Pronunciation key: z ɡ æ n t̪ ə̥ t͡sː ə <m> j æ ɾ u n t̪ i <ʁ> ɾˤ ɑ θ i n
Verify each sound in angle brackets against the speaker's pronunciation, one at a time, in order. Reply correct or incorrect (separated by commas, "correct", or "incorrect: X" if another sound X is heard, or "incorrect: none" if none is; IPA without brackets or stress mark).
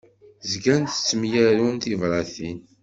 correct, incorrect: v